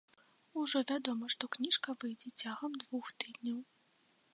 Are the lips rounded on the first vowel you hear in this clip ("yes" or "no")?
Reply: yes